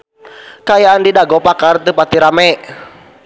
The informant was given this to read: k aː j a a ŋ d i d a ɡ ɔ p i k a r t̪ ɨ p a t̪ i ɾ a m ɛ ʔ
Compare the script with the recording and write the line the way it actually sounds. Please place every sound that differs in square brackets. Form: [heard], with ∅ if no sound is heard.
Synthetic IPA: k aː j a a [n] d i d a ɡ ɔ p [a] k a r t̪ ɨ p a t̪ i ɾ a m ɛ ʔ